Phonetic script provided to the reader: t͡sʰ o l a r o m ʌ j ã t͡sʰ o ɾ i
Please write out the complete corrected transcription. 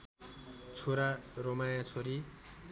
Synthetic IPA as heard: t͡sʰ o ɾ a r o m a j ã t͡sʰ o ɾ i